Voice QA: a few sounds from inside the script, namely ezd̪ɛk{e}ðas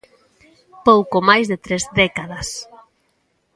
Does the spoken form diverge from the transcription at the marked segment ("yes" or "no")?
yes